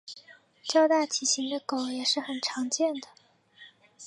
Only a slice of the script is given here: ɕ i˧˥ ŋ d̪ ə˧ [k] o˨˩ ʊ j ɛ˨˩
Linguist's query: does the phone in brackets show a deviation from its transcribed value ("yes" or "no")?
no